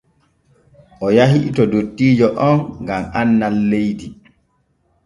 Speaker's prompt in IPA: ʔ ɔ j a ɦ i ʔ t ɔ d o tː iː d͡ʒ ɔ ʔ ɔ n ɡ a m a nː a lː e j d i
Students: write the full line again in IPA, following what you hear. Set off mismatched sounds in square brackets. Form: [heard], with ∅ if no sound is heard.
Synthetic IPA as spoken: ʔ ɔ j a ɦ i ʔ t ɔ d o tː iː d͡ʒ ɔ ʔ ɔ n ɡ a m a nː a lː e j d i